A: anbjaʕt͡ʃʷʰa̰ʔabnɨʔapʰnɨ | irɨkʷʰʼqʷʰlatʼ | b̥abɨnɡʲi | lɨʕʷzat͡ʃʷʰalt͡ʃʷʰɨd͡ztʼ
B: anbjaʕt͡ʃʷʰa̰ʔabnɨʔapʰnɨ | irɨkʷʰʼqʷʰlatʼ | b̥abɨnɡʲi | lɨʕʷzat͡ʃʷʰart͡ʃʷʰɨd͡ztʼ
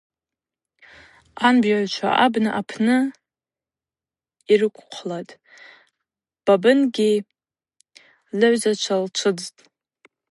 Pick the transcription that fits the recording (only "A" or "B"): A